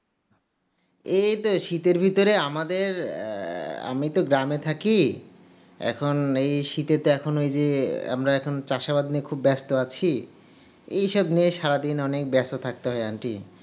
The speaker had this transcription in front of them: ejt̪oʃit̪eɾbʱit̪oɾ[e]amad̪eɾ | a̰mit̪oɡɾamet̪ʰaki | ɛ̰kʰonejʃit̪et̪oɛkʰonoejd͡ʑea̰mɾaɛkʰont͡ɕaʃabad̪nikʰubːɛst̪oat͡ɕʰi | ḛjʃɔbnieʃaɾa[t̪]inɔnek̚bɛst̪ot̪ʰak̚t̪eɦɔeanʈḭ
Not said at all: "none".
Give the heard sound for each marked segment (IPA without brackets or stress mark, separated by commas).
e, d̪